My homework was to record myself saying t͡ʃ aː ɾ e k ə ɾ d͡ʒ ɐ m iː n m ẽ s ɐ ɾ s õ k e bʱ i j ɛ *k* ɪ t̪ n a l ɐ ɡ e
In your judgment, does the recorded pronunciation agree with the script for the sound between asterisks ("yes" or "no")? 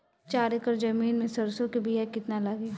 yes